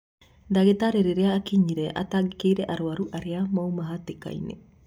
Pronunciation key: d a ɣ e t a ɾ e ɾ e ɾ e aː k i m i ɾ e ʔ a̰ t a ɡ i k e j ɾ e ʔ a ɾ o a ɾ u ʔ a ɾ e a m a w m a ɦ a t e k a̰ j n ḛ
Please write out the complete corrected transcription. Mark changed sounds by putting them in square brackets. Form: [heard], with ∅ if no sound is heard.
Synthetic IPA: d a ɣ e t a ɾ e ɾ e ɾ e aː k i [ɲ] i ɾ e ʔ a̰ t a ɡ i k e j ɾ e ʔ a ɾ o a ɾ u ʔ a ɾ e a m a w m a ɦ a t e k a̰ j n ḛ